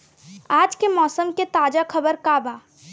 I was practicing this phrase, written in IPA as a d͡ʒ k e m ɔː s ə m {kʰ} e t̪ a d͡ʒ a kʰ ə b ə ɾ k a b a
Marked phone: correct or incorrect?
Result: incorrect